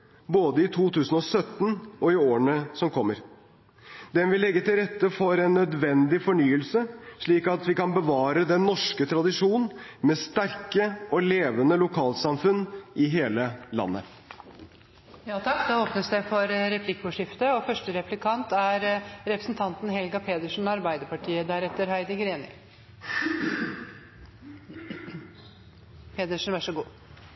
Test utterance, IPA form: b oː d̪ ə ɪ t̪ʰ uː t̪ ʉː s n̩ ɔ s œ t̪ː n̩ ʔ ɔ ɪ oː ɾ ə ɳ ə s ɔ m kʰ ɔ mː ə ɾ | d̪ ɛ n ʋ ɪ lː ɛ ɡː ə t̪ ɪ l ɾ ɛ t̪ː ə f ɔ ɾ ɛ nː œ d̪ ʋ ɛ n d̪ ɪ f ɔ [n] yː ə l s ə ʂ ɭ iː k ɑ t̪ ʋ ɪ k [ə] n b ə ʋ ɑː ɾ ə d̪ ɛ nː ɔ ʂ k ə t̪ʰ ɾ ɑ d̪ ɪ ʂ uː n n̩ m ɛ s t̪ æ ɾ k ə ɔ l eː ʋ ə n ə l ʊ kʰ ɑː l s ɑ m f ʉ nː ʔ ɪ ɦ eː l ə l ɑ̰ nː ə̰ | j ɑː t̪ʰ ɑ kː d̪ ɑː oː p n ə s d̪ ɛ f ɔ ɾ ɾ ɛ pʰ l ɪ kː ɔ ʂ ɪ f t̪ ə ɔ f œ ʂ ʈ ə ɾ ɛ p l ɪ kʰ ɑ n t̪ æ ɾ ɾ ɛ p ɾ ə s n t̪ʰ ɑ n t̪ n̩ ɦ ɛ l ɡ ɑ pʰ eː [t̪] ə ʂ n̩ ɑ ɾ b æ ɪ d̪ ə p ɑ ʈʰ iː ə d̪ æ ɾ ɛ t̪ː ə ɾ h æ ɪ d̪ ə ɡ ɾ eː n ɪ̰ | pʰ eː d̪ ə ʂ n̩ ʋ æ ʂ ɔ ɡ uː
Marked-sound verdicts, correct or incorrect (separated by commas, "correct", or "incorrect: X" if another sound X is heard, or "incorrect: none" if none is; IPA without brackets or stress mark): incorrect: ɳ, incorrect: ɑ, incorrect: d̪